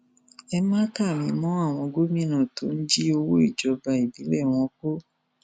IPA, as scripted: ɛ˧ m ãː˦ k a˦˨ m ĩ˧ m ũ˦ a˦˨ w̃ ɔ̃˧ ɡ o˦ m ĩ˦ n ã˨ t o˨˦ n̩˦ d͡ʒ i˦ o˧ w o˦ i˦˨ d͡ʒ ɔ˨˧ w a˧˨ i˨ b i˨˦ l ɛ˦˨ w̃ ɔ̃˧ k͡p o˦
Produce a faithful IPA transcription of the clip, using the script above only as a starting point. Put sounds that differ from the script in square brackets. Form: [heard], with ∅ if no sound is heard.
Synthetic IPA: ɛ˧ m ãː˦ k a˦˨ m ĩ˧ m [ɔ̃˦] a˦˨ w̃ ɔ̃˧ ɡ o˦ m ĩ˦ n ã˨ t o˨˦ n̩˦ d͡ʒ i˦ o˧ w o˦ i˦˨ d͡ʒ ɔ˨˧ [b] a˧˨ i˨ b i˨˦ l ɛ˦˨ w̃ ɔ̃˧ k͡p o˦